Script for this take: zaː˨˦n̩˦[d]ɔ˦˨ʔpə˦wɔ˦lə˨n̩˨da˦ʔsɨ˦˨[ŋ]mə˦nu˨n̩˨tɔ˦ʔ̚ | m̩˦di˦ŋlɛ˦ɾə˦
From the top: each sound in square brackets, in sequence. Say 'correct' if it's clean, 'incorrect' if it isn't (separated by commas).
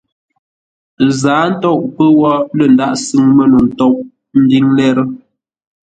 incorrect, correct